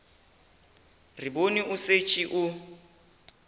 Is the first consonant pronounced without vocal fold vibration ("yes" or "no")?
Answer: no